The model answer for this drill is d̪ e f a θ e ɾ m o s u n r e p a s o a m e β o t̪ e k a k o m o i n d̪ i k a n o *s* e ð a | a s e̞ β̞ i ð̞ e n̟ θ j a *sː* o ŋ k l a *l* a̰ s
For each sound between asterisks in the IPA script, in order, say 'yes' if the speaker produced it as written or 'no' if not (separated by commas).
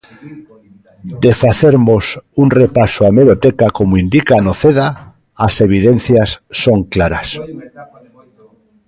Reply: no, yes, no